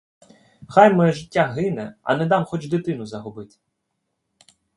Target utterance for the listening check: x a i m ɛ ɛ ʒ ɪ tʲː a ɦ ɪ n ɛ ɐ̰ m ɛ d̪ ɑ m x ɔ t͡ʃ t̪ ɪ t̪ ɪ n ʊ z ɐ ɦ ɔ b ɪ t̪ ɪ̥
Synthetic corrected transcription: x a j m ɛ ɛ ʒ ɪ tʲː a ɦ ɪ n ɛ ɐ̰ n ɛ d̪ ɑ m x ɔ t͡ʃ d̪ ɪ t̪ ɪ n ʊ z ɐ ɦ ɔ b ɪ t̪ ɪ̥